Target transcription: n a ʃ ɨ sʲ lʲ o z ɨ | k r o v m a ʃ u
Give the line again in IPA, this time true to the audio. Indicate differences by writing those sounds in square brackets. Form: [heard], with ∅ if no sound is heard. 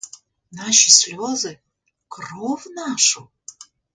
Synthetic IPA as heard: n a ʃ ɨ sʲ lʲ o z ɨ | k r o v [n] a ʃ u